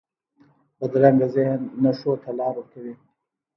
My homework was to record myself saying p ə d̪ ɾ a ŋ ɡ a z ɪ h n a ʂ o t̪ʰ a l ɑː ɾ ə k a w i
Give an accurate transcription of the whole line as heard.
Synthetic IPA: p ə d̪ ɾ a ŋ ɡ a z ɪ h nː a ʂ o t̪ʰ a l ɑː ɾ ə k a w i